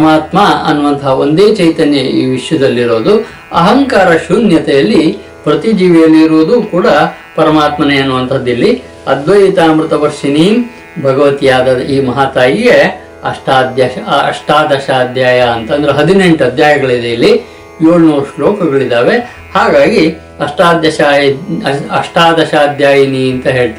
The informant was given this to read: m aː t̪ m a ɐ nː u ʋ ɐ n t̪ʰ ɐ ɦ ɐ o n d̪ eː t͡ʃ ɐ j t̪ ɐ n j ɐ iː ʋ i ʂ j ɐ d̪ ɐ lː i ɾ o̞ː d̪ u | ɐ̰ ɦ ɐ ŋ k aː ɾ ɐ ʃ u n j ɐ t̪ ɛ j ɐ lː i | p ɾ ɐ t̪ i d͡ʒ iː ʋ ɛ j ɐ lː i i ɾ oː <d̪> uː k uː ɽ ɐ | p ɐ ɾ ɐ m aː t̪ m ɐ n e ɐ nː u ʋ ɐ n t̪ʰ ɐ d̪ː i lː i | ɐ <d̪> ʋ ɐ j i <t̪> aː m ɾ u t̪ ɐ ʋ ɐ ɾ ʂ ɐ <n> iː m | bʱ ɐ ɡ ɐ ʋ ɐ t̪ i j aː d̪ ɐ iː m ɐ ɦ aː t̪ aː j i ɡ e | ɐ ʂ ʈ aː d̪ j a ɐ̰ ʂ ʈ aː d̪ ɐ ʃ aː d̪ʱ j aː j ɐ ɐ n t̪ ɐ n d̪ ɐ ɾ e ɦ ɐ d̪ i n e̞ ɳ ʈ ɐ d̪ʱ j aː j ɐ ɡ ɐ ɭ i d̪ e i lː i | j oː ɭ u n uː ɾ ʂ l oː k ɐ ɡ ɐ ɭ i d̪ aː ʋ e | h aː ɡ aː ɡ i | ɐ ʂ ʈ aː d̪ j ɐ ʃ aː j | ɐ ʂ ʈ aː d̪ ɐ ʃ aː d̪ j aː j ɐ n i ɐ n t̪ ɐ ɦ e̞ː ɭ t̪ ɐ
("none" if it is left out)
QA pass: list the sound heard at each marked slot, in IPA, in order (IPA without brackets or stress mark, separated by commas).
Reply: d̪, d̪, t̪, n